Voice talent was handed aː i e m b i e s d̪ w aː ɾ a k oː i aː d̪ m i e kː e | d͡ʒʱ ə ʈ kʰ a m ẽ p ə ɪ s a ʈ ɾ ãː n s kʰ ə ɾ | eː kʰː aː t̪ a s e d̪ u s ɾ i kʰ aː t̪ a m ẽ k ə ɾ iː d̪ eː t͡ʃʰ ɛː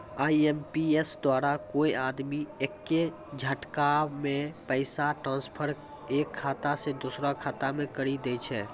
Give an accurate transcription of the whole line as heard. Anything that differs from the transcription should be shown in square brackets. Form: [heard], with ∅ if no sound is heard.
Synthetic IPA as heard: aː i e m [p] i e s d̪ w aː ɾ a k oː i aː d̪ m i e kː e | d͡ʒʱ ə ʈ [k] a m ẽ p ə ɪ s a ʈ ɾ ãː n s [pʰ] ə ɾ | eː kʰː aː t̪ a s e d̪ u s ɾ [a] kʰ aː t̪ a m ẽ k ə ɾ [i] d̪ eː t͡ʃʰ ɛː

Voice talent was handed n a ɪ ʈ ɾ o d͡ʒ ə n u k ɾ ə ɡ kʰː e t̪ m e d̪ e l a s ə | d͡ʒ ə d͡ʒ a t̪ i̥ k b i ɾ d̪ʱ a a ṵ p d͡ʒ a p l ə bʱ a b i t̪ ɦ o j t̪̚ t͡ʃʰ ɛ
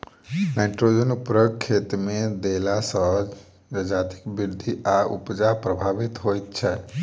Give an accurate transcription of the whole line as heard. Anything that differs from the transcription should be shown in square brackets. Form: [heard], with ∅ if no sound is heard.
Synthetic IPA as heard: n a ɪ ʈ ɾ o d͡ʒ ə n u [p] ɾ ə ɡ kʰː e t̪ m e d̪ e l a s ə | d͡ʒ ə d͡ʒ a t̪ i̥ k b i ɾ d̪ʱ [i] a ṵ p d͡ʒ a p [ɾ] ə bʱ a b i t̪ ɦ o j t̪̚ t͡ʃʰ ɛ

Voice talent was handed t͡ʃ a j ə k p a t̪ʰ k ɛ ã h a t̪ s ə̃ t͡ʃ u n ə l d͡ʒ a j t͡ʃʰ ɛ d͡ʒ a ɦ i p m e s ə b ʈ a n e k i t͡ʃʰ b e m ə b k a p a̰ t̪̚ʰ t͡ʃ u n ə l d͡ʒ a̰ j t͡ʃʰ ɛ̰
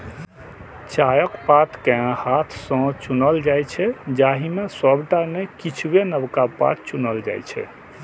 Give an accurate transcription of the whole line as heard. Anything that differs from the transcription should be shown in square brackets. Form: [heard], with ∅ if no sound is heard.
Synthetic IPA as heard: t͡ʃ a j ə k p a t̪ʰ k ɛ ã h a [t̪ʰ] s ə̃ t͡ʃ u n ə l d͡ʒ a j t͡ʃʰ ɛ d͡ʒ a ɦ i [∅] m e s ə b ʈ a n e k i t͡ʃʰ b e [n] ə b k a p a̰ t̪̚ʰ t͡ʃ u n ə l d͡ʒ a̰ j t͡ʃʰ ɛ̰

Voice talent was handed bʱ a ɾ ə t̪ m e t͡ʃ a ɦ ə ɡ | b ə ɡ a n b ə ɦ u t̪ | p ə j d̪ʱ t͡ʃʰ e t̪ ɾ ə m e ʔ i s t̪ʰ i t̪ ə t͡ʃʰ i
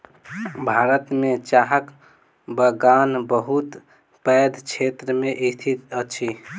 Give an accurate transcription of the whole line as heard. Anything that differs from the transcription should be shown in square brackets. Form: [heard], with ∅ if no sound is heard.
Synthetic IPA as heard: bʱ a ɾ ə t̪ m e t͡ʃ a ɦ ə [k] | b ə ɡ a n b ə ɦ u t̪ | p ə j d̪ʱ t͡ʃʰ e t̪ ɾ ə m e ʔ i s t̪ʰ i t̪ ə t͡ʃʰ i

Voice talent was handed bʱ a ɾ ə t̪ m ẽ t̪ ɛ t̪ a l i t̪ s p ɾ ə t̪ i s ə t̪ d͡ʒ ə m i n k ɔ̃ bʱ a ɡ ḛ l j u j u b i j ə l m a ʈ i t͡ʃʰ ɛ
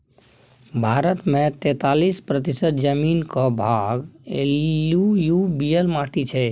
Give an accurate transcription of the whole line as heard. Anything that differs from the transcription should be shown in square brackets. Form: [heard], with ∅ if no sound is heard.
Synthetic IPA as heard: bʱ a ɾ ə t̪ m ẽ t̪ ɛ t̪ a l i [∅] s p ɾ ə t̪ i s ə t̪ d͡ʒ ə m i n k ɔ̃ bʱ a ɡ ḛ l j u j u b i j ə l m a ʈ i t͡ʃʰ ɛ

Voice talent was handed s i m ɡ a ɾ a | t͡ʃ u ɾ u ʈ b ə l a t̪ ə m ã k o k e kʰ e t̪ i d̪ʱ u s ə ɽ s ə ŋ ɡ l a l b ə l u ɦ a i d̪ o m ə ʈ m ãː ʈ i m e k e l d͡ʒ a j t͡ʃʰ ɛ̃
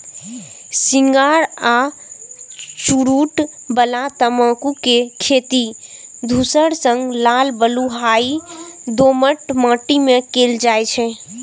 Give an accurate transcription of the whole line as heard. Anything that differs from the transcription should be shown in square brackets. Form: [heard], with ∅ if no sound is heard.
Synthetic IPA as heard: s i [ŋ] ɡ a ɾ a | t͡ʃ u ɾ u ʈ b ə l a t̪ ə m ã k [u] k e kʰ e t̪ i d̪ʱ u s ə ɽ s ə ŋ ɡ l a l b ə l u ɦ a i d̪ o m ə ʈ m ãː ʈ i m e k e l d͡ʒ a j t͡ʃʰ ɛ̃

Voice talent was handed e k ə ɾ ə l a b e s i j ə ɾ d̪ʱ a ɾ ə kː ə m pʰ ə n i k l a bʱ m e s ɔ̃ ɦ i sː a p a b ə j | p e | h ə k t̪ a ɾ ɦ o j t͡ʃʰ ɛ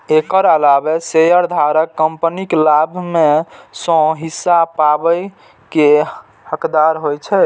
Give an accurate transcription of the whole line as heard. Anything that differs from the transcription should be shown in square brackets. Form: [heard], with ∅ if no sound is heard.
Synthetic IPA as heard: e k ə ɾ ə l a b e s [e] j ə ɾ d̪ʱ a ɾ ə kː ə m [p] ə n i k l a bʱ m e s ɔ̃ ɦ i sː a p a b ə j | [k] e | h ə k [d̪] a ɾ ɦ o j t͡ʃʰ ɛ

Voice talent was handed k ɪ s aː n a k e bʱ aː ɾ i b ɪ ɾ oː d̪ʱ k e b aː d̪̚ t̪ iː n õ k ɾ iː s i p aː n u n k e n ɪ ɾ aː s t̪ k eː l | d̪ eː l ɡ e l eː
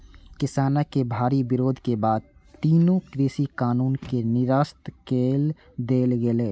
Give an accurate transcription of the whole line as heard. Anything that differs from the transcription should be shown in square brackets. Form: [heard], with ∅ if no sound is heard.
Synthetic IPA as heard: k ɪ s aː n a k e bʱ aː ɾ i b ɪ ɾ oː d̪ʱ k e b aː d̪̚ t̪ iː n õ k ɾ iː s i [k] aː n [uː] n k e n ɪ ɾ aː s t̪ k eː l | d̪ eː l ɡ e l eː

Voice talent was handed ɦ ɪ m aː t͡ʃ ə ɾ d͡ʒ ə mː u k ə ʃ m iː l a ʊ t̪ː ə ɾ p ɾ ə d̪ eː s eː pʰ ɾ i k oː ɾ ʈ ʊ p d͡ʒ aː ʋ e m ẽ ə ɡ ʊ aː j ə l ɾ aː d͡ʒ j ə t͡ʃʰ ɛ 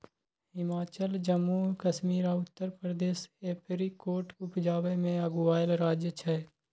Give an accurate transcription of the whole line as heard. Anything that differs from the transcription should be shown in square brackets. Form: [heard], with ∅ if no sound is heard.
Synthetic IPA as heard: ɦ ɪ m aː t͡ʃ ə [l] d͡ʒ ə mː u k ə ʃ m iː [ɾ] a ʊ t̪ː ə ɾ p ɾ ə d̪ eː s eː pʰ ɾ i k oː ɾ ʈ ʊ p d͡ʒ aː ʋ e m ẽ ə ɡ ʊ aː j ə l ɾ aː d͡ʒ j ə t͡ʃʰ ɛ

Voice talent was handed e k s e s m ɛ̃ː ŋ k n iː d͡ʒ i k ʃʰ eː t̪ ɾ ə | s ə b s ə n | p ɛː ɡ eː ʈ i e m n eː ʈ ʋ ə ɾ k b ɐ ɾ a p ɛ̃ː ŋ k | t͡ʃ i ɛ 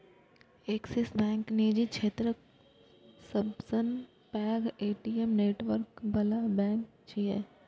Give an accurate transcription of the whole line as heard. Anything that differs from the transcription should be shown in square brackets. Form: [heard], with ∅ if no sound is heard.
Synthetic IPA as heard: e k s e s [b] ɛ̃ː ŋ k n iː d͡ʒ i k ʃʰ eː t̪ ɾ ə | s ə b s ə n | p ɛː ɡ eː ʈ i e m n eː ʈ ʋ ə ɾ k b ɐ [l] a [b] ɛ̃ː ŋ k | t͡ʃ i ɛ

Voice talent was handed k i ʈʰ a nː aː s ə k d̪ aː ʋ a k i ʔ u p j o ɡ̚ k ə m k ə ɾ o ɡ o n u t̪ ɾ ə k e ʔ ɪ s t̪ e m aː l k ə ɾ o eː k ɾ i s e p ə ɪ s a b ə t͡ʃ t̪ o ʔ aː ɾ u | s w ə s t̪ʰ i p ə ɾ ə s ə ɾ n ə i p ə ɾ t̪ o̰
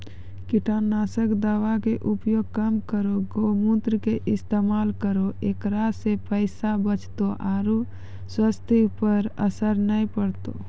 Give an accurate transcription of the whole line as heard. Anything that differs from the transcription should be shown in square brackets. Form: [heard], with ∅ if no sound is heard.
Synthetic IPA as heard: k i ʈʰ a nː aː s ə k d̪ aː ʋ a k [e] ʔ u p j o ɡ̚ k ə m k ə ɾ o ɡ o [m] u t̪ ɾ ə k e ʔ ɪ s t̪ e m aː l k ə ɾ o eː k ɾ [a] s e p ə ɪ s a b ə t͡ʃ t̪ o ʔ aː ɾ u | s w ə s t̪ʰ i p ə ɾ ə s ə ɾ n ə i p ə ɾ t̪ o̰

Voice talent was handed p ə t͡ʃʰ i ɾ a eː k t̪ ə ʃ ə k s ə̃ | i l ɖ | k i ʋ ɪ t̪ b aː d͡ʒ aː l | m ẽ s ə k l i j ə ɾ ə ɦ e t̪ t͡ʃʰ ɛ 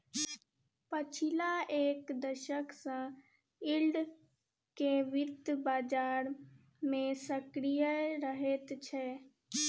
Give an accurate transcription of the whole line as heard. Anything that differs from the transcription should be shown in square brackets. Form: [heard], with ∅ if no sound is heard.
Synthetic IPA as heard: p ə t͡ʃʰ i [l] a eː k [d̪] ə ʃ ə k s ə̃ | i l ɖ | k [e] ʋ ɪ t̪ b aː d͡ʒ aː [ɾ] | m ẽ s ə k [ɾ] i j ə ɾ ə ɦ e t̪ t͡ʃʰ ɛ

